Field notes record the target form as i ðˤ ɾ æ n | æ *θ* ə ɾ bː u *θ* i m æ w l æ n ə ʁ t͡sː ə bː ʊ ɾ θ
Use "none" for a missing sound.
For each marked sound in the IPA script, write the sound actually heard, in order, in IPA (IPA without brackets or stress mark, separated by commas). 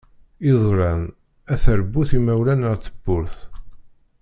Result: θ, θ